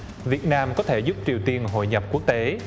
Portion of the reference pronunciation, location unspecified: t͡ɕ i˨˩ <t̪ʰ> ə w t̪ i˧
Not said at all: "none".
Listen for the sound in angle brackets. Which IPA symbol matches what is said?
none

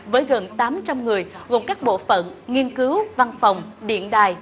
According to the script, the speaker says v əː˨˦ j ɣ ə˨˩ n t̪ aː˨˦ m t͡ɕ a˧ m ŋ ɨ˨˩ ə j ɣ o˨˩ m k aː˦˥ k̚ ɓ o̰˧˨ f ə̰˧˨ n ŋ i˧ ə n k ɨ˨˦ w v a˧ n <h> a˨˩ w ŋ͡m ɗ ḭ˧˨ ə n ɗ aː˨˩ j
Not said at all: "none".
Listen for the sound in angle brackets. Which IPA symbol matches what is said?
f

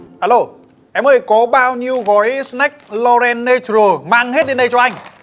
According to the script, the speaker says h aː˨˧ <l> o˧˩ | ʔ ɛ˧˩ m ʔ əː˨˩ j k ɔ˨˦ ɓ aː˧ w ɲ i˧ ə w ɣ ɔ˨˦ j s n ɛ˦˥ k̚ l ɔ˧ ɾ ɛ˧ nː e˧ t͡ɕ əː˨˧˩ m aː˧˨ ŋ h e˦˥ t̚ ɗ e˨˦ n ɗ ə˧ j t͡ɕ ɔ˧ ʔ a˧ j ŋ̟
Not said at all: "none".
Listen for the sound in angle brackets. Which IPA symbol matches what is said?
l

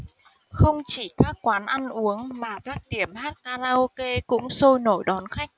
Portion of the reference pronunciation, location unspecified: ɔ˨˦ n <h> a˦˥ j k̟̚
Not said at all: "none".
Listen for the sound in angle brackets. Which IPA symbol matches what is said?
x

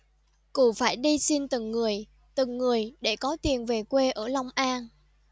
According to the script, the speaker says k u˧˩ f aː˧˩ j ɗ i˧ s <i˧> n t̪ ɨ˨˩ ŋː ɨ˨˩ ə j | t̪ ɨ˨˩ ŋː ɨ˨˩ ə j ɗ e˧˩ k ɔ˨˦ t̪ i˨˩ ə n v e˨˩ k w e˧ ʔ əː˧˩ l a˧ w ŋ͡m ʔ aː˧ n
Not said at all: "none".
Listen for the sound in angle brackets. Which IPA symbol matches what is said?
i˧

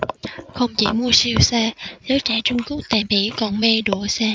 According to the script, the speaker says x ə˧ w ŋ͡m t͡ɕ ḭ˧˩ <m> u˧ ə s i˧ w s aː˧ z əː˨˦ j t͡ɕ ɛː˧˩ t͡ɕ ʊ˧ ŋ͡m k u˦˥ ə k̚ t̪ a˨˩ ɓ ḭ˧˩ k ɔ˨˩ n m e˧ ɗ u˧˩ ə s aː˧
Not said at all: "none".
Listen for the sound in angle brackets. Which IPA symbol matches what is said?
m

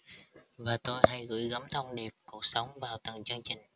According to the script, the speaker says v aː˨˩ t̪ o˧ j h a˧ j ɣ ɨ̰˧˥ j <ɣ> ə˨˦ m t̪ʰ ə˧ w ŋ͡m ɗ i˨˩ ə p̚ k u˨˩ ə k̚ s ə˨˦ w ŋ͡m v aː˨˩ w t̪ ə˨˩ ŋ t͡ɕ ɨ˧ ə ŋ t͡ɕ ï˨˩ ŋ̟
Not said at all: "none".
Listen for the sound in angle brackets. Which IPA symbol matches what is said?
ɣ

